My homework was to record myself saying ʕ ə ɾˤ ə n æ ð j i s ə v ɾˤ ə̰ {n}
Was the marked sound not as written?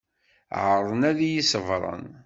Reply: no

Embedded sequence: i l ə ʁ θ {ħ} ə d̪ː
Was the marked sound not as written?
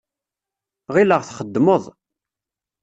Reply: yes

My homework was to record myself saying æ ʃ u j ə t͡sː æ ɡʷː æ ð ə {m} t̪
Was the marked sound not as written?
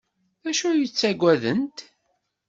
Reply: yes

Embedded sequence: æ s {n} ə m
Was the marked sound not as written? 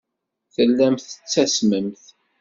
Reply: yes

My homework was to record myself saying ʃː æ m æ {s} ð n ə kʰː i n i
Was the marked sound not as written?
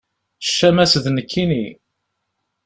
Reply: no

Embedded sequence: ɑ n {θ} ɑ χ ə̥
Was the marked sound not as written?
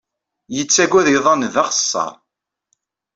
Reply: yes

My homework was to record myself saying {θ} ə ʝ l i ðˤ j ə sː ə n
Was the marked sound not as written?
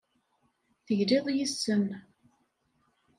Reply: no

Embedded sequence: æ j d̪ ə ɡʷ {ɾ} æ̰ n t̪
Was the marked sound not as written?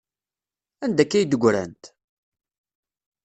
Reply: no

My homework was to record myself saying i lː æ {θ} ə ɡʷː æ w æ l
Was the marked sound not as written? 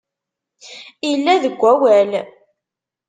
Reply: yes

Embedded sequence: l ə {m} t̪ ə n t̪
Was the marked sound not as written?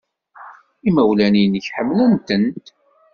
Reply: yes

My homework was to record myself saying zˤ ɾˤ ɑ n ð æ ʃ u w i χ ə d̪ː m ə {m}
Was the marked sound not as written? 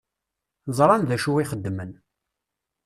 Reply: yes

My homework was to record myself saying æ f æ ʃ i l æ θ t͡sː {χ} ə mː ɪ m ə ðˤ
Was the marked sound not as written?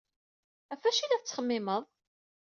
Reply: no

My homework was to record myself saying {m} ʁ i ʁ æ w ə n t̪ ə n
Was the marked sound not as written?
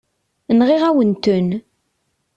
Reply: yes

